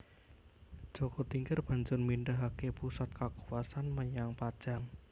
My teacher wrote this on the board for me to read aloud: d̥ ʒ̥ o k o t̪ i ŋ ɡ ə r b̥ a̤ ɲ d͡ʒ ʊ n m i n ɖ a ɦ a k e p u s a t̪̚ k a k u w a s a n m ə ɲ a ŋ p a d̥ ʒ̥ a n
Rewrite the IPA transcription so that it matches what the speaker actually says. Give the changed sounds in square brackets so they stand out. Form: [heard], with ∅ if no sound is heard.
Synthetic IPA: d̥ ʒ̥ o k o t̪ i ŋ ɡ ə r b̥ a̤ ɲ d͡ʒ ʊ n m i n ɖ a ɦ a k e p u s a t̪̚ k a k u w a s a n m ə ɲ a ŋ p a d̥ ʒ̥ a [ŋ]